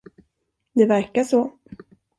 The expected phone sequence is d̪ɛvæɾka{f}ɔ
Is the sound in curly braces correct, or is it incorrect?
incorrect